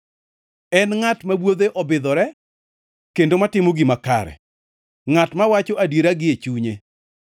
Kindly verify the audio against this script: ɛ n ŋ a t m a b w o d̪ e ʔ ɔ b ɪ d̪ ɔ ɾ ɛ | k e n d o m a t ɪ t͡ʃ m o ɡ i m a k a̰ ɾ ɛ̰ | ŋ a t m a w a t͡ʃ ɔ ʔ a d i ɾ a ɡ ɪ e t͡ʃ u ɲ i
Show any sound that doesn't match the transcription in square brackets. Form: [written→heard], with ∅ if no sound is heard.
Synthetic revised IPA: ɛ n ŋ a t m a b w o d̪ e ʔ ɔ b ɪ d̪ ɔ ɾ ɛ | k e n d o m a t ɪ [t͡ʃ→∅] m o ɡ i m a k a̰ ɾ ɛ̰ | ŋ a t m a w a t͡ʃ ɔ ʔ a d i ɾ a ɡ ɪ e t͡ʃ u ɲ [i→e]